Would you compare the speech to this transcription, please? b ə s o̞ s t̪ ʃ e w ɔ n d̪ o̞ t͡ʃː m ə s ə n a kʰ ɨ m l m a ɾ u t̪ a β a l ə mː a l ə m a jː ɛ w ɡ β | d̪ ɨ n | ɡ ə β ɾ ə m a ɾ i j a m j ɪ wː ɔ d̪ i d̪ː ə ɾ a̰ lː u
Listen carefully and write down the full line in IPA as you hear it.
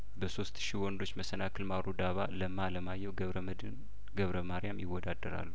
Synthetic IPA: b ə s o̞ s t̪ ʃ i w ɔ n d̪ o̞ t͡ʃː m ə s ə n a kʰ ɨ l m a ɾ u d̪ a β a l ə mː a l ə m a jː ɛ w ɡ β | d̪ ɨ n | ɡ ə β ɾ ə m a ɾ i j a m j ɪ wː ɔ d̪ a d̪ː ə ɾ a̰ lː u